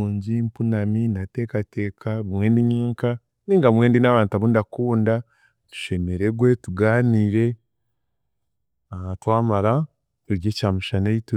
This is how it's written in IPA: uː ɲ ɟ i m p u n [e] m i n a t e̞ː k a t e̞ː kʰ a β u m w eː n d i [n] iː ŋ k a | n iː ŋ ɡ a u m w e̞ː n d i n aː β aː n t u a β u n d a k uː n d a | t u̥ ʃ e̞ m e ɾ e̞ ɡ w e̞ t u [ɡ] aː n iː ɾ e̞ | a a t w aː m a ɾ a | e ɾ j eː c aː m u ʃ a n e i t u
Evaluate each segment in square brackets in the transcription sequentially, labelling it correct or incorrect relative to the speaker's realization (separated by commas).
incorrect, incorrect, correct